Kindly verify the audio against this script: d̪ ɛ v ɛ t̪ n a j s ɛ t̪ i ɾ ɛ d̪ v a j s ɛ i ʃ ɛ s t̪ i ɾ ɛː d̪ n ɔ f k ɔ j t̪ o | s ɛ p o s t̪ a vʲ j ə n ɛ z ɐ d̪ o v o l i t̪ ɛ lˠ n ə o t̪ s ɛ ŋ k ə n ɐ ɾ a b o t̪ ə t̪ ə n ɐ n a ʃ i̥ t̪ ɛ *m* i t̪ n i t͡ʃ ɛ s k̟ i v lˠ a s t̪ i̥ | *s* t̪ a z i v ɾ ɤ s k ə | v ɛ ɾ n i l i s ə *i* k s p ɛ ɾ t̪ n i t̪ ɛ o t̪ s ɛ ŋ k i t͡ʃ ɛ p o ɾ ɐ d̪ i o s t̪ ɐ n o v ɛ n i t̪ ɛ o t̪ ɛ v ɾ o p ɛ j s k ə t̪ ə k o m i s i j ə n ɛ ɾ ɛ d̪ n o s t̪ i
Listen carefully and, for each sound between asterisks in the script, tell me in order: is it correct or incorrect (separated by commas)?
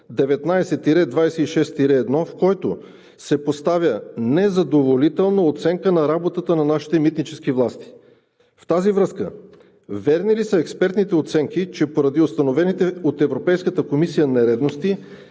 correct, incorrect, incorrect